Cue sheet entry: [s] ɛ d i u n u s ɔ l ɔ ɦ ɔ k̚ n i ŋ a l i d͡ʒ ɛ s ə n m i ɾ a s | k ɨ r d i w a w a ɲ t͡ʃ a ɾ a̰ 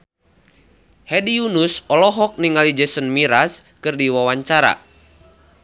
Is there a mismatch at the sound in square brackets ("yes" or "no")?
yes